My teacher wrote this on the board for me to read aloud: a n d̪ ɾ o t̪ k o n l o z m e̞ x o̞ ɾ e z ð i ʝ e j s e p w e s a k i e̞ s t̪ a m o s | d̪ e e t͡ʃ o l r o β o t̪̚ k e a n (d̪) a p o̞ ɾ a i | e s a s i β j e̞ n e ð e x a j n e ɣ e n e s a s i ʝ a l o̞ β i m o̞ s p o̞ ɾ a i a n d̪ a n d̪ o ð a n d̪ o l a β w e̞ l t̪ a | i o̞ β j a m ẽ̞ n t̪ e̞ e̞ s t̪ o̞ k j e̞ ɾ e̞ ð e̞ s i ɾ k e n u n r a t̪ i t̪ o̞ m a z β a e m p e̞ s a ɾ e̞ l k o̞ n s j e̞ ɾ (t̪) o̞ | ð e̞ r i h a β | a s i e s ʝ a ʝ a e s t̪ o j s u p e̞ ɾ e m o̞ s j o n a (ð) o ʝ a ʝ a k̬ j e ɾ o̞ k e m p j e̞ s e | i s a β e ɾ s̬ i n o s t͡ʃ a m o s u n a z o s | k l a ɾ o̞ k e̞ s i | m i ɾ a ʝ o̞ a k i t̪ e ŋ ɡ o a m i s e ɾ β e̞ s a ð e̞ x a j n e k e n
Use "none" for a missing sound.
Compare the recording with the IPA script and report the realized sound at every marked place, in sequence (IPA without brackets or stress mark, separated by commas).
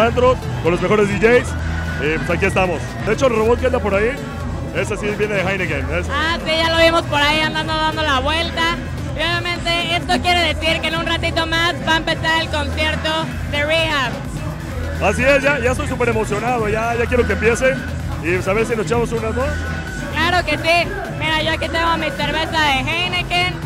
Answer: d̪, t̪, ð